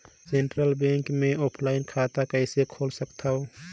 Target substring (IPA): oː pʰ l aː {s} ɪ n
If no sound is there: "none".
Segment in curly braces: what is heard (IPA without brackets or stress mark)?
none